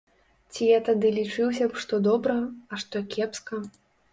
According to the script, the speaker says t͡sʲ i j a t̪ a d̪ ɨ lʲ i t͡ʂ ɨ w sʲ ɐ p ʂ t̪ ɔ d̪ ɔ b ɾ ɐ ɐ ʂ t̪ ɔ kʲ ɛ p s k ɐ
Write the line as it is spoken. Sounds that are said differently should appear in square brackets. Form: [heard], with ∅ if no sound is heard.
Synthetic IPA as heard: t͡sʲ i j a t̪ a d̪ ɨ lʲ i t͡ʂ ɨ w sʲ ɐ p ʂ t̪ ɔ d̪ ɔ b ɾ ɐ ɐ ʂ t̪ ɔ kʲ ɛ p s k ɐ